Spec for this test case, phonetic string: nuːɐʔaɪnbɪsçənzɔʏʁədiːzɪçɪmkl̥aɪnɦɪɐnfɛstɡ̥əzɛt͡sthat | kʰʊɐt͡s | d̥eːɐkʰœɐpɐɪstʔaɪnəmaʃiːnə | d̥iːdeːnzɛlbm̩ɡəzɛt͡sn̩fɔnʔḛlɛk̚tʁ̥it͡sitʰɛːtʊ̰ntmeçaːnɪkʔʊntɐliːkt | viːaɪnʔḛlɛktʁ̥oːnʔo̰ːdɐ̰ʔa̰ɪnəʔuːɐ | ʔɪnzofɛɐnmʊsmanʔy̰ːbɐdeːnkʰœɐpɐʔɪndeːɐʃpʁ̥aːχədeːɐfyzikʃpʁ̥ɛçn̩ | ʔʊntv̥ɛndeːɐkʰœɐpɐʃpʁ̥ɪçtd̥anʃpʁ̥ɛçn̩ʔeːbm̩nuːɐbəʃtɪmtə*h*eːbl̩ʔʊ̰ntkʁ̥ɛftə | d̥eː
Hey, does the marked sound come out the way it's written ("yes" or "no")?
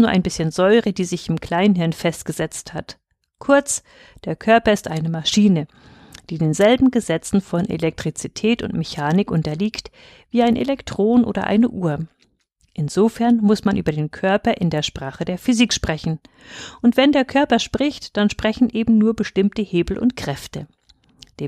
yes